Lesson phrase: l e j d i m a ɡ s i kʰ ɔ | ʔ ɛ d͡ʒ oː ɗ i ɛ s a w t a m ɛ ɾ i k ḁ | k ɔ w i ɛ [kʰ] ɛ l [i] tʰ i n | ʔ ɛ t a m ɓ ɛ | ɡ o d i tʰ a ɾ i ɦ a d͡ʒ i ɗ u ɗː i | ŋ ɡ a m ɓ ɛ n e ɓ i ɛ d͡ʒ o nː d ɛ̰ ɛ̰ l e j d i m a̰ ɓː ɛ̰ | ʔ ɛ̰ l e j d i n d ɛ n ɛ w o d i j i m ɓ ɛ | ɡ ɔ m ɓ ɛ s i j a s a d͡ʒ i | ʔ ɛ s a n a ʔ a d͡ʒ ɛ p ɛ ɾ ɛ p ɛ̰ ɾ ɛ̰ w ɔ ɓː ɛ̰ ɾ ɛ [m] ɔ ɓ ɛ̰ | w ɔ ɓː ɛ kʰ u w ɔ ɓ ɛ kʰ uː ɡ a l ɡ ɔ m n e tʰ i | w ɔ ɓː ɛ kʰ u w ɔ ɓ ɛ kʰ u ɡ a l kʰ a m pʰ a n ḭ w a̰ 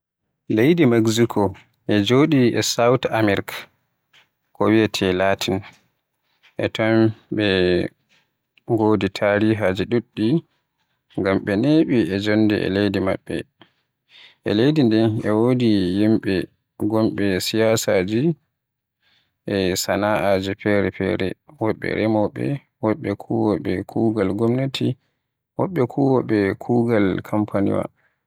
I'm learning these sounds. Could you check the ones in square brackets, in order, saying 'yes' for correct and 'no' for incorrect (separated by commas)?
no, no, yes